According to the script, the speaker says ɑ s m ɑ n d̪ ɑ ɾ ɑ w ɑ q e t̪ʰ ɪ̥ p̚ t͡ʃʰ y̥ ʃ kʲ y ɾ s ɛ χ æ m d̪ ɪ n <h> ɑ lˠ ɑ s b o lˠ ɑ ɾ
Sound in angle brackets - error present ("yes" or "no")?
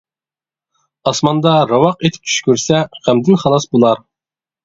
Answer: yes